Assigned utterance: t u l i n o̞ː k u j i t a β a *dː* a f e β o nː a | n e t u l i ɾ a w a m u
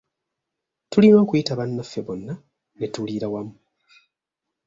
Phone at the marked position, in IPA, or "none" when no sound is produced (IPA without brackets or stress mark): nː